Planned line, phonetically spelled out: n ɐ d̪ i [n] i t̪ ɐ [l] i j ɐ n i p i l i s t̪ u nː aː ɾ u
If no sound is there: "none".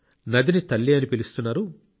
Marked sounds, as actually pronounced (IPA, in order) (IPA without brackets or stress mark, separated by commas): n, lː